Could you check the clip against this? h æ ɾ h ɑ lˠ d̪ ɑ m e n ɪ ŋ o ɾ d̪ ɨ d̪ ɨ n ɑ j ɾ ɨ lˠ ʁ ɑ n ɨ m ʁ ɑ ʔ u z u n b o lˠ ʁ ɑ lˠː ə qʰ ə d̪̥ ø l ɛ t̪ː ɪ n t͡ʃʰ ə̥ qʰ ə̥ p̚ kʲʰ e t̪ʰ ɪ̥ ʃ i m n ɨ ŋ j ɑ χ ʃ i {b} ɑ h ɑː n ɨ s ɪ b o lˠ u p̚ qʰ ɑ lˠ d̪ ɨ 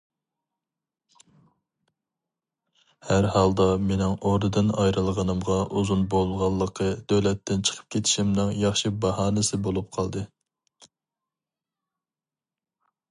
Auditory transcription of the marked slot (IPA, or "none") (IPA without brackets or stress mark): b